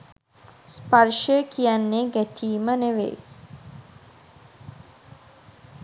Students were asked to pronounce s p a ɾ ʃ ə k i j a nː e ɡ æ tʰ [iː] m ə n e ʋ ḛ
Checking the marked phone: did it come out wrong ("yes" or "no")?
no